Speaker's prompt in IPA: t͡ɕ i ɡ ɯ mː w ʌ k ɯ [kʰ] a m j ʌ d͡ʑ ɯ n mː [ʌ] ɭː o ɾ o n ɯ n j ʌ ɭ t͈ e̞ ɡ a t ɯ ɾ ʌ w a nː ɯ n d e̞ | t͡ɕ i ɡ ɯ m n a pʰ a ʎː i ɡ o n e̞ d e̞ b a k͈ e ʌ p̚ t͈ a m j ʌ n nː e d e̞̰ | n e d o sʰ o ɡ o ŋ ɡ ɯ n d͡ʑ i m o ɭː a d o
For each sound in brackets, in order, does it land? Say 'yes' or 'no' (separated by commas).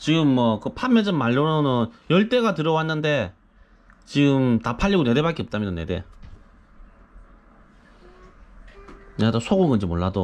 no, no